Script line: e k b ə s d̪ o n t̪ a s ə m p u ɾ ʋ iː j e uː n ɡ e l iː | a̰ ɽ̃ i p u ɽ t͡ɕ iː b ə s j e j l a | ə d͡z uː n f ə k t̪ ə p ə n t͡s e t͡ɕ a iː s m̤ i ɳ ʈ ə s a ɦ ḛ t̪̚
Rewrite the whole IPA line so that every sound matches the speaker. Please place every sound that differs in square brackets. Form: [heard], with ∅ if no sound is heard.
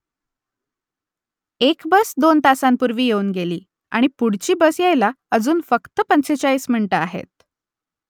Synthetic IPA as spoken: e k b ə s d̪ o n t̪ a s [a] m p u ɾ ʋ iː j e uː n ɡ e l iː | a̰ ɽ̃ i p u ɽ t͡ɕ iː b ə s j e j l a | ə d͡z uː n f ə k t̪ ə p ə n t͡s e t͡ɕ a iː s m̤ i ɳ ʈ ə [∅] a ɦ ḛ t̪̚